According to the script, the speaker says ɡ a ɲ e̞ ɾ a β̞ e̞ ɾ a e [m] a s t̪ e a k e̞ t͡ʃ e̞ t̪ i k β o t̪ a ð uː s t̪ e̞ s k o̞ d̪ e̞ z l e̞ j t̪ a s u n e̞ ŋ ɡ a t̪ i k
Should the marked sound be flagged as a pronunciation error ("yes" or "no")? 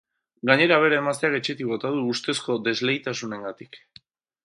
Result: no